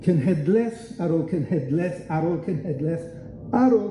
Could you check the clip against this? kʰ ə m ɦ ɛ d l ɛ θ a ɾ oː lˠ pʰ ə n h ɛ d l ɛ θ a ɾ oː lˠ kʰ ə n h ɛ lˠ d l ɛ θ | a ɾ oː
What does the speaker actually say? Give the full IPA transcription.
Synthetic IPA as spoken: kʰ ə n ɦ ɛ d l ɛ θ a ɾ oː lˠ kʰ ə n h ɛ d l ɛ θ a ɾ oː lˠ kʰ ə n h ɛ d l ɛ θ | a ɾ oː